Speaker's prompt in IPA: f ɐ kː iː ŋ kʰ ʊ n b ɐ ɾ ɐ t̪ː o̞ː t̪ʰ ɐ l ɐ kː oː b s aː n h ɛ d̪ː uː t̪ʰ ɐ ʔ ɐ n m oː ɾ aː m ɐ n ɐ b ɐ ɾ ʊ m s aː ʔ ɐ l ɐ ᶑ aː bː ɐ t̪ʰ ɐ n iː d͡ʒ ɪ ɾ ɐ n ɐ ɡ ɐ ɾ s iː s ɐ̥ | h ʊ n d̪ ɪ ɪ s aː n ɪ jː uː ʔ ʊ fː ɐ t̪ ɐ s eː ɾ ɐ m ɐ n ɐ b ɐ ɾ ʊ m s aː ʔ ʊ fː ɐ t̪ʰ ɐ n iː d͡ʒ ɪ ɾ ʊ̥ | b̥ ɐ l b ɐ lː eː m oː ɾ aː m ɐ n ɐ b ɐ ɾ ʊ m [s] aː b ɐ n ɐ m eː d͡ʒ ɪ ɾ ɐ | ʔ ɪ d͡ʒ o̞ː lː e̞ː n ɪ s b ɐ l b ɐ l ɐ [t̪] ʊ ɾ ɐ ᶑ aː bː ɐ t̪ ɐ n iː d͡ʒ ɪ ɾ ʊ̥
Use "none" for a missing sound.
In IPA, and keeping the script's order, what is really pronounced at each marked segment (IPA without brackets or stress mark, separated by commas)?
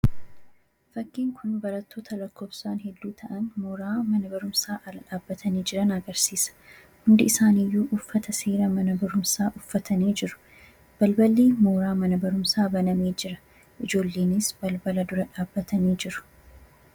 s, d̪